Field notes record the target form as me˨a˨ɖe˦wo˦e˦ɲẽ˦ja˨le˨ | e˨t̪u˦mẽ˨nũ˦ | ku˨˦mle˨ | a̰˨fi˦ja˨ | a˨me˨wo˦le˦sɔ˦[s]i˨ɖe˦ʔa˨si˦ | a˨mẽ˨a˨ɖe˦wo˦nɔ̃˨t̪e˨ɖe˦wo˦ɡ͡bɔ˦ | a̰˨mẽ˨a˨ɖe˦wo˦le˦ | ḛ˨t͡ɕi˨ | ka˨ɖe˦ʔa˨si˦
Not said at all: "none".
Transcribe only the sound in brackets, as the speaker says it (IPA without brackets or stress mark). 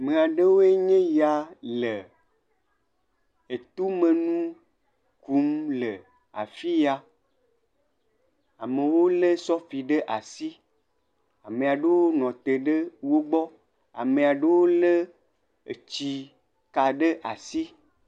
f